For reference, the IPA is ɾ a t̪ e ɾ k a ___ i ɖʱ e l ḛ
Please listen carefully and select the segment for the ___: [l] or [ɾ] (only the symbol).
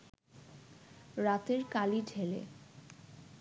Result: l